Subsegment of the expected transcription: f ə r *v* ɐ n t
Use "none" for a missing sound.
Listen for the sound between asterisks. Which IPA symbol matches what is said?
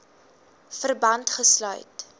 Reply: b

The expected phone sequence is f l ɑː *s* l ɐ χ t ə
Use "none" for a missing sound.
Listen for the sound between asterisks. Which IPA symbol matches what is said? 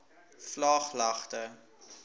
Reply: χ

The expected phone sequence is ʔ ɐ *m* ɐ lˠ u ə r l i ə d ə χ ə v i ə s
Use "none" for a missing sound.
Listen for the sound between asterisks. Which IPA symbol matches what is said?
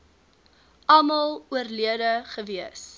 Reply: m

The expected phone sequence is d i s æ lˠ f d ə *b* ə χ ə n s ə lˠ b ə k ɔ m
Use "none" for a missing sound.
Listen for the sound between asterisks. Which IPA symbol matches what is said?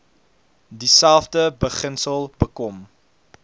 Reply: b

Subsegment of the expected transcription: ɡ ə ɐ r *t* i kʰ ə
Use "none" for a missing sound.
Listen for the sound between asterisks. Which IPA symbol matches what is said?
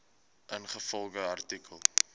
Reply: t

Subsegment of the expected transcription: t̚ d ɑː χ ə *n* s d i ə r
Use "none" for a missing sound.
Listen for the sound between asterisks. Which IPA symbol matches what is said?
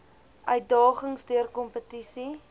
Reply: ŋ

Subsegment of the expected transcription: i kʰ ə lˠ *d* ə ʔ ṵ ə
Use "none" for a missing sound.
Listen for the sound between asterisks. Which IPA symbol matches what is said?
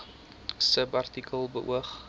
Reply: b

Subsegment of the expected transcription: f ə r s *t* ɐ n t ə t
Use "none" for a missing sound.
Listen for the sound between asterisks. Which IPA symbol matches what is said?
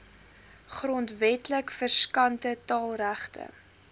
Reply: k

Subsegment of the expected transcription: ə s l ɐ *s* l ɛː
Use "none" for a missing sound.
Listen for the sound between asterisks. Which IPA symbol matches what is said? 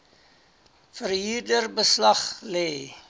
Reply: χ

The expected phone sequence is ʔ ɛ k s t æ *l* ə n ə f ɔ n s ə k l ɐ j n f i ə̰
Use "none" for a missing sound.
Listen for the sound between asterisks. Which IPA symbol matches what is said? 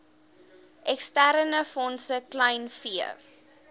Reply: ɾ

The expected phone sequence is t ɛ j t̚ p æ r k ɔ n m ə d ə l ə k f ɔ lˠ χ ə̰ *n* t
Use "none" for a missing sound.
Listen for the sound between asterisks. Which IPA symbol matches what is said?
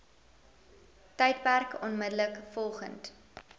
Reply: n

